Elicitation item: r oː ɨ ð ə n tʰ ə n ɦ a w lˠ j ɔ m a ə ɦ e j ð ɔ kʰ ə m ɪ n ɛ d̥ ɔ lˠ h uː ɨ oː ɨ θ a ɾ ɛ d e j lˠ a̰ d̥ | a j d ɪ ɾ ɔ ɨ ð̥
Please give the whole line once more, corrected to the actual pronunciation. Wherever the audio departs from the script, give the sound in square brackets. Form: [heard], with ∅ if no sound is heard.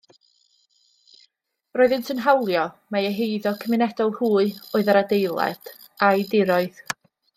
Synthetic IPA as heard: r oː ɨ ð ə n tʰ ə n ɦ a w lˠ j ɔ m a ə ɦ e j ð ɔ kʰ ə m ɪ n ɛ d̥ ɔ lˠ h uː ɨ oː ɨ [ð] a ɾ [a] d e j lˠ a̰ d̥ | a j d ɪ ɾ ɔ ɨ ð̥